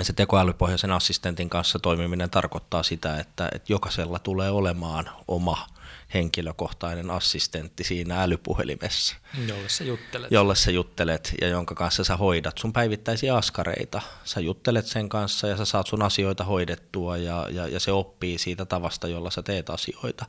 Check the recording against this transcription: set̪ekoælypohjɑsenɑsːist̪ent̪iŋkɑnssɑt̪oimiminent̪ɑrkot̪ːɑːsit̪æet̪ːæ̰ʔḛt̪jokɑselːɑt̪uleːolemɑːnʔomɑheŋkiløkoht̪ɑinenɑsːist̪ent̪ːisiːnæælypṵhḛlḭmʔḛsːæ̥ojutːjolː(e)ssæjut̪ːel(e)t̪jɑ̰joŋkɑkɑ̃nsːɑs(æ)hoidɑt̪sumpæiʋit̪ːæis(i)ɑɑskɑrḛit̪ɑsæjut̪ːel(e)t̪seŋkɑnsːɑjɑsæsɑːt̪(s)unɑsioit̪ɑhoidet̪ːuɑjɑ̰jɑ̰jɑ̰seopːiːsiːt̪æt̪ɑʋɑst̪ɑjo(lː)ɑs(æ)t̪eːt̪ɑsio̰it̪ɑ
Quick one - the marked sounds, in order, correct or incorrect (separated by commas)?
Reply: correct, correct, correct, correct, correct, correct, correct, correct